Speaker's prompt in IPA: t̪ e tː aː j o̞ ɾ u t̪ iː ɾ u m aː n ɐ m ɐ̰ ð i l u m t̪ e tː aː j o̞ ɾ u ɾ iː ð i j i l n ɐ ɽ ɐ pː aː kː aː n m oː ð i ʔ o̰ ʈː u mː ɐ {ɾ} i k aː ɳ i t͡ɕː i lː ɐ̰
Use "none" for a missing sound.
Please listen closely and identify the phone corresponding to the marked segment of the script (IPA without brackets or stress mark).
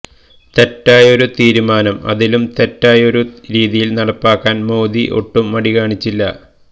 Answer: ɽ